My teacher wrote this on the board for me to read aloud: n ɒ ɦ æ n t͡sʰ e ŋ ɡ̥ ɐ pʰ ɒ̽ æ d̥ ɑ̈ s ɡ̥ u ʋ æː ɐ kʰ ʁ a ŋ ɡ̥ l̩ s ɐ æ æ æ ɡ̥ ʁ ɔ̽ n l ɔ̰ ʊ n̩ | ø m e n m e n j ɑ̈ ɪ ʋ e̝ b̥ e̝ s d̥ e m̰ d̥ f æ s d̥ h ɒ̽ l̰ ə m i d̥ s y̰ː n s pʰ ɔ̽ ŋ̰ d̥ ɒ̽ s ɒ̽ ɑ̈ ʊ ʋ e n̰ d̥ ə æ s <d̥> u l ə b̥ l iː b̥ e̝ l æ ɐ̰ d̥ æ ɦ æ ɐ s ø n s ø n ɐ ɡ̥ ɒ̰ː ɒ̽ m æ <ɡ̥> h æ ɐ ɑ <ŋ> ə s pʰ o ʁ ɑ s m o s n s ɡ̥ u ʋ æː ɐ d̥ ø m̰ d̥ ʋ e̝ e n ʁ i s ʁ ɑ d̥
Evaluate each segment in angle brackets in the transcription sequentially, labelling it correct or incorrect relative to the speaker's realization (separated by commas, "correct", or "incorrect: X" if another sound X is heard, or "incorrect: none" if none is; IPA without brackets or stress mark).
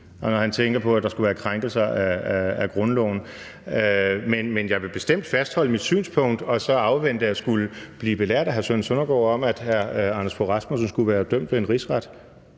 incorrect: ɡ̥, incorrect: d̥, incorrect: n